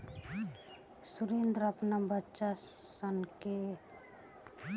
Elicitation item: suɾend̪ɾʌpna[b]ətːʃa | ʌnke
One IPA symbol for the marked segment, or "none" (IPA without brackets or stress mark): b